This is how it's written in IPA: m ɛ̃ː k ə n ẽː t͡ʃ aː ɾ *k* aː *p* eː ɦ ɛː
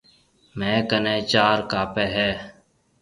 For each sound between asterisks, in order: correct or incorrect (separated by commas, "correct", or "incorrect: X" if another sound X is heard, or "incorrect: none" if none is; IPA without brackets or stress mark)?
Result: correct, correct